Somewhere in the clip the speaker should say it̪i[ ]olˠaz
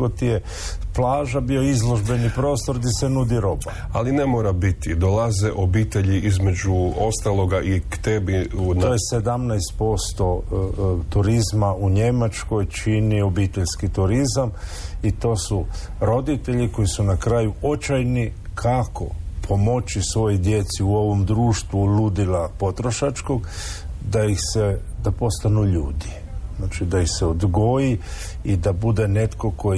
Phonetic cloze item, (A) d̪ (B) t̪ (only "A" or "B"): A